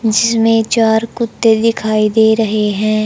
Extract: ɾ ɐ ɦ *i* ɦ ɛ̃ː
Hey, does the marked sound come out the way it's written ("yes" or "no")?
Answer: no